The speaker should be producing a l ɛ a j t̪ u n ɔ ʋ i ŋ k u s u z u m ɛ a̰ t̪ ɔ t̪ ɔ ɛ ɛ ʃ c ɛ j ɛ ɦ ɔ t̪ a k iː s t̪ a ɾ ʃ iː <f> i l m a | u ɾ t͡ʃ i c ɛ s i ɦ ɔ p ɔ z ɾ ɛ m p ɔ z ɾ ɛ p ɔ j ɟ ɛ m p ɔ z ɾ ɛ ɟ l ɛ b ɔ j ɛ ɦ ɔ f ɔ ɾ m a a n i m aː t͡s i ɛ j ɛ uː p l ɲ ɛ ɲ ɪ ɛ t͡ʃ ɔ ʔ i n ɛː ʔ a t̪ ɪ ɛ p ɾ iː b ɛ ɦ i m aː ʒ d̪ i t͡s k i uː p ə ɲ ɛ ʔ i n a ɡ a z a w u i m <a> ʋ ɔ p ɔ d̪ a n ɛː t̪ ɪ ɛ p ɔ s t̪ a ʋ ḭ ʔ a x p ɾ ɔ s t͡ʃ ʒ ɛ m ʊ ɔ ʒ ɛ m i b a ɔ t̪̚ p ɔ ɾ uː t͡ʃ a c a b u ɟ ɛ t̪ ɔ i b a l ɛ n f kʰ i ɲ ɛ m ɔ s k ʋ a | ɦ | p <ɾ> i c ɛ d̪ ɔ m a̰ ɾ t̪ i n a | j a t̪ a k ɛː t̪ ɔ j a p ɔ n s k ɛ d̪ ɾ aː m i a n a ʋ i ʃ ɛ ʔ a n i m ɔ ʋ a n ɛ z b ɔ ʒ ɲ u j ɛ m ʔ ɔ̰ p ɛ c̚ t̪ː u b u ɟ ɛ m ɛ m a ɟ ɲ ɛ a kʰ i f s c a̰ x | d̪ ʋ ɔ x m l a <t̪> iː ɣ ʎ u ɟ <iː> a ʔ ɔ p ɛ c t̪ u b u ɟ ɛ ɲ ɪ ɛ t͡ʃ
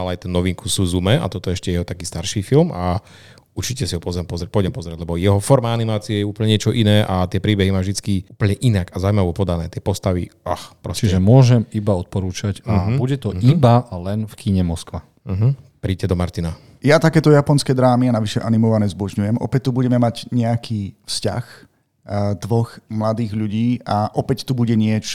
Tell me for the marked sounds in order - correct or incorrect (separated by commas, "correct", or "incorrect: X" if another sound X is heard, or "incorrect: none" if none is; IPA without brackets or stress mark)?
correct, correct, correct, incorrect: d̪, correct